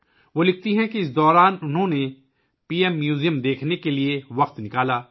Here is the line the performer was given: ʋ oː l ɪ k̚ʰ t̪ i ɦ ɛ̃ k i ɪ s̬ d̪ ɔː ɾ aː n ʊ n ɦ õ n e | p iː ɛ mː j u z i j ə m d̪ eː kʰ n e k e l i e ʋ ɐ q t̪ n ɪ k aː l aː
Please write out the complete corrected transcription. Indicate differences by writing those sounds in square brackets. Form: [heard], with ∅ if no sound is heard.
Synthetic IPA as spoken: ʋ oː l ɪ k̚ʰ t̪ i ɦ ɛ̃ k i ɪ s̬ d̪ ɔː ɾ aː n ʊ n ɦ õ n e | p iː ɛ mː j [uː] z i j ə m d̪ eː kʰ n e k e l i e ʋ ɐ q t̪ n ɪ k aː l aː

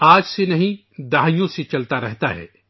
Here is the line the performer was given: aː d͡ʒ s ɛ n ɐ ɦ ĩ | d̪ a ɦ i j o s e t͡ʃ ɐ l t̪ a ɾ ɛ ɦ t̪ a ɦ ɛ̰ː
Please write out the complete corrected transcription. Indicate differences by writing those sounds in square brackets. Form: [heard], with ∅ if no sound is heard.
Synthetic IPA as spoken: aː d͡ʒ s [e] n ɐ ɦ ĩ | d̪ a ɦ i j [õ] s e t͡ʃ ɐ l t̪ a ɾ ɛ ɦ t̪ a ɦ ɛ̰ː

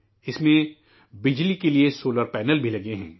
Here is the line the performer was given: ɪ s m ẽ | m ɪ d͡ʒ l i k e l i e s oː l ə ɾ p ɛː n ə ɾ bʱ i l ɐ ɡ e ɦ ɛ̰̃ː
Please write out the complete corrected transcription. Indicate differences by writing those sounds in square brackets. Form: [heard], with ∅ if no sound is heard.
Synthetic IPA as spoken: ɪ s m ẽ | [b] ɪ d͡ʒ l i k e l i e s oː l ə ɾ p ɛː n ə [l] bʱ i l ɐ ɡ e ɦ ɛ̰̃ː

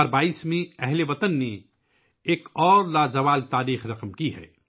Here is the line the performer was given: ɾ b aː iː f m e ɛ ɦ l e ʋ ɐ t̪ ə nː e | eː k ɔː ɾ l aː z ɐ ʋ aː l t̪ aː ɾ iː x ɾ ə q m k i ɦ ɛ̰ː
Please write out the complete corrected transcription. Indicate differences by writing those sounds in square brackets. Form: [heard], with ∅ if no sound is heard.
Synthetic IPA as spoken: ɾ b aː iː [s] m [ẽ] ɛ ɦ l e ʋ ɐ t̪ ə nː e | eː k ɔː ɾ l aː z ɐ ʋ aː l t̪ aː ɾ iː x ɾ [ɐ] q m k i ɦ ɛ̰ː

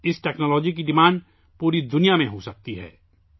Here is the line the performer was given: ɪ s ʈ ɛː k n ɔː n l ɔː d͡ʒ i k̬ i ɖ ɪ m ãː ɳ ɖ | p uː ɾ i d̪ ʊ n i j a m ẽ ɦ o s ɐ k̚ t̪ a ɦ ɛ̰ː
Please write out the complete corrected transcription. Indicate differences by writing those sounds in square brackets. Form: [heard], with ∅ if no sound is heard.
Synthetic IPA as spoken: ɪ s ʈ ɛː k n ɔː [∅] l ɔː d͡ʒ i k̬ i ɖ ɪ m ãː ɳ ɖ | p uː ɾ i d̪ ʊ n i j a m ẽ ɦ o s ɐ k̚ t̪ [i] ɦ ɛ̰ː

